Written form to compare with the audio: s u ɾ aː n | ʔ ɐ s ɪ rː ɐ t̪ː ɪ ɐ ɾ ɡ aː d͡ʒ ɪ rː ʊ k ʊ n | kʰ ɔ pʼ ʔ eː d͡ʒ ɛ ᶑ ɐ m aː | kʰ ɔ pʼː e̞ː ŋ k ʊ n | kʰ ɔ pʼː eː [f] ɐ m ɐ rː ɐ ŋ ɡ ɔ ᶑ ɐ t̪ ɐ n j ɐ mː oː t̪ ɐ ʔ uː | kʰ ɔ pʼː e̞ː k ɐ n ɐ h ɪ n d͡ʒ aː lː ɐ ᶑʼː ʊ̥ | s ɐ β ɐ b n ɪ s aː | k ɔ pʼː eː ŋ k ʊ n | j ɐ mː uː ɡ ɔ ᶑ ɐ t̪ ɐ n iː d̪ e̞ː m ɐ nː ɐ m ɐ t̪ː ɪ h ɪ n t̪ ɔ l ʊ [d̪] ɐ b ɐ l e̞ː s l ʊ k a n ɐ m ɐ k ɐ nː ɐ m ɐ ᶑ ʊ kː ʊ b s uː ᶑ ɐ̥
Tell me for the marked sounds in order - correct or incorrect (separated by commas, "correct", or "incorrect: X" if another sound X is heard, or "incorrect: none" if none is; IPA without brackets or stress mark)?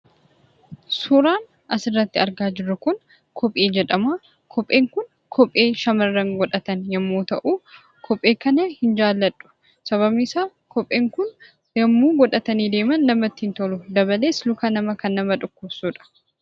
incorrect: ʃ, correct